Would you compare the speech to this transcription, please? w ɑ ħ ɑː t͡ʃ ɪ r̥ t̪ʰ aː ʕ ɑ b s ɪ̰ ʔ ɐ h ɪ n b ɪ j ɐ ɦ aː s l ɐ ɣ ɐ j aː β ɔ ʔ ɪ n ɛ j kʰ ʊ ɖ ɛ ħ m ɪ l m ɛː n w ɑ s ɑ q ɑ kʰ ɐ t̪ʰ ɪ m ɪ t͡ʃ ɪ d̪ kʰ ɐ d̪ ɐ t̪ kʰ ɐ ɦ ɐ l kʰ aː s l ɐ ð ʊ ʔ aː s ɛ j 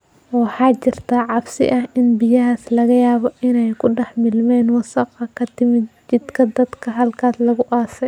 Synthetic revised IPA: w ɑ ħ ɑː t͡ʃ ɪ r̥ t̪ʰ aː ʕ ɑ b s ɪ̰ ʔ ɐ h ɪ n b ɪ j ɐ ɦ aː s l ɐ ɣ ɐ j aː β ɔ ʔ ɪ n ɛ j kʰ ʊ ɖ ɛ ħ m ɪ l m ɛː n w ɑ s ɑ q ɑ kʰ ɐ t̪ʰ ɪ m ɪ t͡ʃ ɪ d̪ kʰ ɐ d̪ ɐ d̪ kʰ ɐ ɦ ɐ l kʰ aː s l ɐ ɣ ʊ ʔ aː s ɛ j